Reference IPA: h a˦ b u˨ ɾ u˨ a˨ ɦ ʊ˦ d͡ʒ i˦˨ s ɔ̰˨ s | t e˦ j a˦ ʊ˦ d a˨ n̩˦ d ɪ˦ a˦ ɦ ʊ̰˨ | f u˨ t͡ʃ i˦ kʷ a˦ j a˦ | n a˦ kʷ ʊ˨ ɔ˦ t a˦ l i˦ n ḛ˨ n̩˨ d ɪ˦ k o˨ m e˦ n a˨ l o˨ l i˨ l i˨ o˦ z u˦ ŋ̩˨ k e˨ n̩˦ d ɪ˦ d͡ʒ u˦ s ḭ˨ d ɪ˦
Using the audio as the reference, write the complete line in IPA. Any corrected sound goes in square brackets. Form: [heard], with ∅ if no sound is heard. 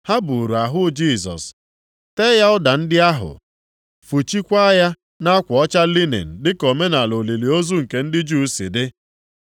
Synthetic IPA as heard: h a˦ b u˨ ɾ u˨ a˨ ɦ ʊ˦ d͡ʒ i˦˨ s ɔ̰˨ s | t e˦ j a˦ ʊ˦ d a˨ n̩˦ d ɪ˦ a˦ ɦ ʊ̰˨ | f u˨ t͡ʃ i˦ kʷ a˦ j a˦ | n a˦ kʷ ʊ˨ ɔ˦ [t͡ʃ] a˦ l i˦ n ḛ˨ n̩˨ d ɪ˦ k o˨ m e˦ n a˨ l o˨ l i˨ l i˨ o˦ z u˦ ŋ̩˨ k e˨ n̩˦ d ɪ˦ d͡ʒ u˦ s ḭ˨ d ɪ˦